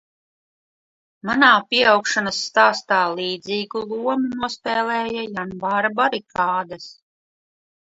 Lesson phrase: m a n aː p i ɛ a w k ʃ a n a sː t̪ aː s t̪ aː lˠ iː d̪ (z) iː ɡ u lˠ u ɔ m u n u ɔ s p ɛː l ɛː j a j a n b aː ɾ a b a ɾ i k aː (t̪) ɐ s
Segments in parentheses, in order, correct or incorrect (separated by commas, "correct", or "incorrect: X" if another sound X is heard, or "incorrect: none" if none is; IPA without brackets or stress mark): correct, incorrect: d̪